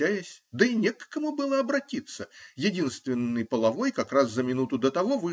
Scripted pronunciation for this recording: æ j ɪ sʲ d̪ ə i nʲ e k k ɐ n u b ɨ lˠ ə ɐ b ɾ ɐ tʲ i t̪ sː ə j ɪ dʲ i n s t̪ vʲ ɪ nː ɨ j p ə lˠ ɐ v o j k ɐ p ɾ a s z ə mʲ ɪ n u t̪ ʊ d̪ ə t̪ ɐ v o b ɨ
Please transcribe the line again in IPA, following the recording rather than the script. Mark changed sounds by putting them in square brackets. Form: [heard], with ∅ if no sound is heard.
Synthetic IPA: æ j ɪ sʲ d̪ ə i nʲ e k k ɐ [m] u b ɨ lˠ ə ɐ b ɾ ɐ tʲ i t̪ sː ə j ɪ dʲ i n s t̪ vʲ ɪ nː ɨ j p ə lˠ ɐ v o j k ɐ [k] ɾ a s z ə mʲ ɪ n u t̪ ʊ d̪ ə t̪ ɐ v o [v] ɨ